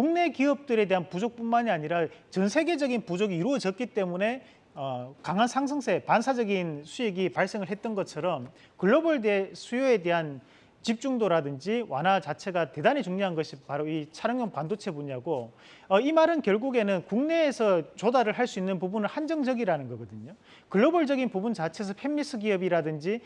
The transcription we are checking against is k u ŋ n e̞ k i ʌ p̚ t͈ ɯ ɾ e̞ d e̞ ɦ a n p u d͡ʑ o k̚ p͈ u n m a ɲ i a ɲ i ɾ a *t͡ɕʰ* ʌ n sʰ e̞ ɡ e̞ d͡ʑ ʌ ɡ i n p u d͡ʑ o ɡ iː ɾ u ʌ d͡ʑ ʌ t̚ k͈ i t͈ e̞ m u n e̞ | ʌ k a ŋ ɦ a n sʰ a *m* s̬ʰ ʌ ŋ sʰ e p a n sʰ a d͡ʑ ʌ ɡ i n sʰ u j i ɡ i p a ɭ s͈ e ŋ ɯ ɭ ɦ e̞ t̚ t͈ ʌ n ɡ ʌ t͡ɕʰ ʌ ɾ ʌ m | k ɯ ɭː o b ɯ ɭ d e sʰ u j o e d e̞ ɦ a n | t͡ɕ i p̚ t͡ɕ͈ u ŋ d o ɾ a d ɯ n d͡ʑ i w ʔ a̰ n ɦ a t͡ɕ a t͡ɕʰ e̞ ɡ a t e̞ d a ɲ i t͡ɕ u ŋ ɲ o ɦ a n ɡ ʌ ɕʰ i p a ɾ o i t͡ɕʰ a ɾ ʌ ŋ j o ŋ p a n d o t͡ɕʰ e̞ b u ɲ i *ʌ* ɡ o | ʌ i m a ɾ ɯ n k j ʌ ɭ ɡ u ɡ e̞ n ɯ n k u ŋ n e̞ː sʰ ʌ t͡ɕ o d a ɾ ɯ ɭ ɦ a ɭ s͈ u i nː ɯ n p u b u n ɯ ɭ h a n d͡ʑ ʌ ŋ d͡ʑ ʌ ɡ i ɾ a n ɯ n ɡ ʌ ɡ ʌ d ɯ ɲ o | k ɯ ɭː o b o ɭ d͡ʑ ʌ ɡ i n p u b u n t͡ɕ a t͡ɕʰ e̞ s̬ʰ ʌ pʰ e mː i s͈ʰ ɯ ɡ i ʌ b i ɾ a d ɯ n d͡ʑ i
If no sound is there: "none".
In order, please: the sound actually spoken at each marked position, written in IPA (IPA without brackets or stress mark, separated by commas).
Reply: t͡ɕ, ŋ, a